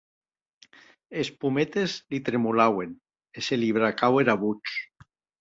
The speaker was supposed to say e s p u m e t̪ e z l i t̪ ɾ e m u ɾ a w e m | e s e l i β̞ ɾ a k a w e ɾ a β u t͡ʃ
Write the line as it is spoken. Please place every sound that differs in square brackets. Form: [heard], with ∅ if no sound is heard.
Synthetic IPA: e s p u m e t̪ e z l i t̪ ɾ e m u [l] a w e [n] | e s e l i β̞ ɾ a k a w e ɾ a β u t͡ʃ